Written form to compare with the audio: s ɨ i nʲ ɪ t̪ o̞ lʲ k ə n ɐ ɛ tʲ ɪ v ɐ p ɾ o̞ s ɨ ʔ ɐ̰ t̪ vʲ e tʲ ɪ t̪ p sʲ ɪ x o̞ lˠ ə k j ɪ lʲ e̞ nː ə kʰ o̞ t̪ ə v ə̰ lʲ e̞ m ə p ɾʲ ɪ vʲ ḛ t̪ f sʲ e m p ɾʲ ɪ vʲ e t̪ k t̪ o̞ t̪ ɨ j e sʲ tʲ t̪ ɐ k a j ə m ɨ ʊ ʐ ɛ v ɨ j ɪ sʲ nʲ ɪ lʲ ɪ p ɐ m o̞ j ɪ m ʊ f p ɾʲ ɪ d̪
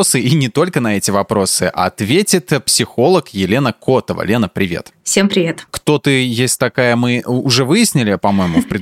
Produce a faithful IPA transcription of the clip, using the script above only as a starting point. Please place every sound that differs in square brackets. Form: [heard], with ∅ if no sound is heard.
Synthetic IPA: s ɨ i nʲ ɪ t̪ o̞ lʲ k ə n ɐ ɛ tʲ ɪ v ɐ p ɾ o̞ s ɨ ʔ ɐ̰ t̪ vʲ e tʲ ɪ t̪ p sʲ ɪ x o̞ lˠ ə k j ɪ lʲ e̞ [n] ə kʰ o̞ t̪ ə v ə̰ lʲ e̞ [n] ə p ɾʲ ɪ vʲ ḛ t̪ f sʲ e m p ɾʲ ɪ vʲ e t̪ k t̪ o̞ t̪ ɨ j e sʲ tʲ t̪ ɐ k a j ə m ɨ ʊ ʐ ɛ v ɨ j ɪ sʲ nʲ ɪ lʲ ɪ p ɐ m o̞ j ɪ m ʊ f p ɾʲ ɪ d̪